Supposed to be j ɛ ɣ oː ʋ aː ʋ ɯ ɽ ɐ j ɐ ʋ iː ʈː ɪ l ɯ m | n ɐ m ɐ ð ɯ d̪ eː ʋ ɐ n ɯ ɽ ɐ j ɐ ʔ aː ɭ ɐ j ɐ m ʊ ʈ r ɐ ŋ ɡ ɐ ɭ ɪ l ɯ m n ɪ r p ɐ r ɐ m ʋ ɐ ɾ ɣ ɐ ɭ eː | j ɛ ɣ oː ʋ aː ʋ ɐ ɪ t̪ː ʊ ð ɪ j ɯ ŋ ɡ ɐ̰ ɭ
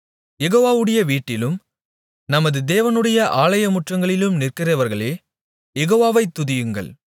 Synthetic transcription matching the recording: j ɛ ɣ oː ʋ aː ʋ ɯ ɽ ɐ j ɐ ʋ iː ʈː ɪ l ɯ m | n ɐ m ɐ ð ɯ d̪ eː ʋ ɐ n ɯ ɽ ɐ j ɐ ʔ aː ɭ ɐ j ɐ m ʊ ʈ r ɐ ŋ ɡ ɐ ɭ ɪ l ɯ m n ɪ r k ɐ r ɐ ʋ ɐ ɾ ɣ ɐ ɭ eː | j ɛ ɣ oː ʋ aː ʋ ɐ ɪ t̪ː ʊ ð ɪ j ɯ ŋ ɡ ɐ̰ ɭ